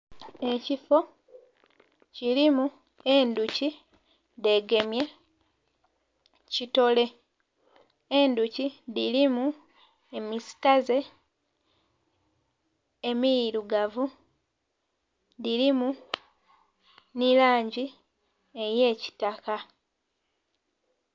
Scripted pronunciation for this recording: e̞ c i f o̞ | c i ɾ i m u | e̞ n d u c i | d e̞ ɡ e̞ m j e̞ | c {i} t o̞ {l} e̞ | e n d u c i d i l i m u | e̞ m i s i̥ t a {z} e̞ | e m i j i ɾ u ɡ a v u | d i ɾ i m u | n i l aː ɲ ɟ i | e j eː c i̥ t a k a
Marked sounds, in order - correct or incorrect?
correct, correct, correct

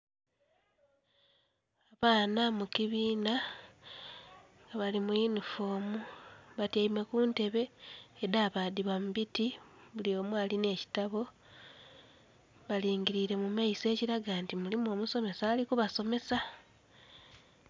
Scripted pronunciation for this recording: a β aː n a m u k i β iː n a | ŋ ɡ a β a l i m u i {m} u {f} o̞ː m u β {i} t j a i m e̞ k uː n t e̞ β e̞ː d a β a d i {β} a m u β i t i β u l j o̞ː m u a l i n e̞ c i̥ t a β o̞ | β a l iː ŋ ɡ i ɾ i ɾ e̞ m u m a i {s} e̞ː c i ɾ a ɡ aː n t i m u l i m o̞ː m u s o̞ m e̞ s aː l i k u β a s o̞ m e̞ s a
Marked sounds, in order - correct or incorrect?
incorrect, correct, incorrect, correct, correct

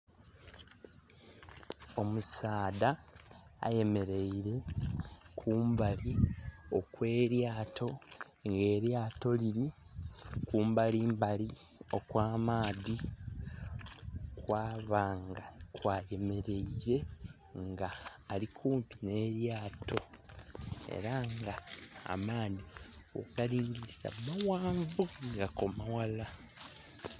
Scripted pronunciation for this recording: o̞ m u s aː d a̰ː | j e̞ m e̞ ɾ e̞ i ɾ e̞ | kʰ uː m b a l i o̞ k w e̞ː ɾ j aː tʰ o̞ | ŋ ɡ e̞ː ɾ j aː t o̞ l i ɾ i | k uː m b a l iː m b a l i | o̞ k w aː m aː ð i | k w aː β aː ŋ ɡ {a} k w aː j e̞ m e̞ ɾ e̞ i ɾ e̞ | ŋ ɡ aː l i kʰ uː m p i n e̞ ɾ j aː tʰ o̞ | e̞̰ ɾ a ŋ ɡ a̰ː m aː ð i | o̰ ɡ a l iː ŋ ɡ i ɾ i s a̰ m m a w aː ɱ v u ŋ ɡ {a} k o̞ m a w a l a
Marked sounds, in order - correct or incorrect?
correct, correct

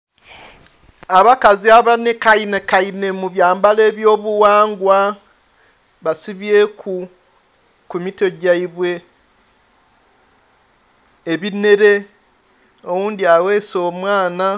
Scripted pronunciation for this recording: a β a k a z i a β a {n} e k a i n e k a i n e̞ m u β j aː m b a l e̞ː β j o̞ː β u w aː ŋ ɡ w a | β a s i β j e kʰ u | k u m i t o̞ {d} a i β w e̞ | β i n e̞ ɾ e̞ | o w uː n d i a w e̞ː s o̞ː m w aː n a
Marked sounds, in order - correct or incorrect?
correct, incorrect

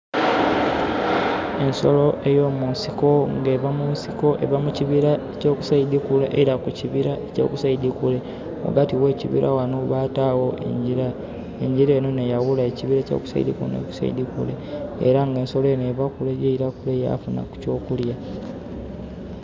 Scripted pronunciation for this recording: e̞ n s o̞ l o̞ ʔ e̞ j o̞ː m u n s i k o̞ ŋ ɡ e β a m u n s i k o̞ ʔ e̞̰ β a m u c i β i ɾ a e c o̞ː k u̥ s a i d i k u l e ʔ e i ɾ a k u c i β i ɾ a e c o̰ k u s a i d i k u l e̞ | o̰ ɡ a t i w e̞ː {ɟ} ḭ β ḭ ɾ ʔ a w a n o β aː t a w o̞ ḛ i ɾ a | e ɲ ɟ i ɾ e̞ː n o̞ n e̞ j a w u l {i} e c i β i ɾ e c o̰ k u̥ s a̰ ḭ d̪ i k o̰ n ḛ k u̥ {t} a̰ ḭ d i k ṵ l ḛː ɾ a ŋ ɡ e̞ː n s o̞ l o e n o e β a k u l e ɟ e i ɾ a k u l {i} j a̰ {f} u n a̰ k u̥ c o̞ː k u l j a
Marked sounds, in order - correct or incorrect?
incorrect, incorrect, incorrect, incorrect, correct

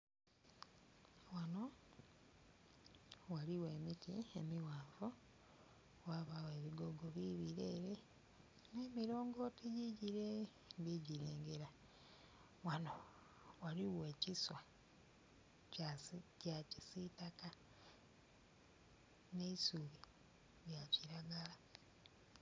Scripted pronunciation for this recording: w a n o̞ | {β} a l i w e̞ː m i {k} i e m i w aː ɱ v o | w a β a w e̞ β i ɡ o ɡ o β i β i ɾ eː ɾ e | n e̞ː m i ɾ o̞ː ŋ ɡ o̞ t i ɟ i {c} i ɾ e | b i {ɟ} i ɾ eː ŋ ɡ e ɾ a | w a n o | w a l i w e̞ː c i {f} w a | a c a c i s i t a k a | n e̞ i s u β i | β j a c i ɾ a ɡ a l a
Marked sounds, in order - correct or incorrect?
incorrect, incorrect, incorrect, correct, incorrect

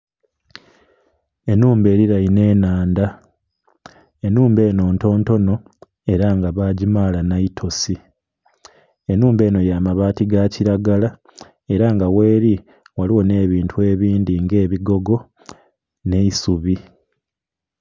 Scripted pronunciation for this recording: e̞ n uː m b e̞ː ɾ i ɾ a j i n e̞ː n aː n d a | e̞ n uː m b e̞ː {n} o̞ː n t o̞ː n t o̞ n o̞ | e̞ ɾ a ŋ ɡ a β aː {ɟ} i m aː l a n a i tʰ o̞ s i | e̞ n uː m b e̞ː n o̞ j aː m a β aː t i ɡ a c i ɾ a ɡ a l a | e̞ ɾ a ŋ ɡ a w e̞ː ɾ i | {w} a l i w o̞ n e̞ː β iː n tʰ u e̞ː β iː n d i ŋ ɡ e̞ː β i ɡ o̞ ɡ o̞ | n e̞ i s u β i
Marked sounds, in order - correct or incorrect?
correct, correct, correct

